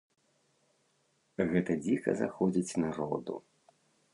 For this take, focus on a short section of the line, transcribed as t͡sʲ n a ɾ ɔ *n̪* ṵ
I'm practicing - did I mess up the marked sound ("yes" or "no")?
yes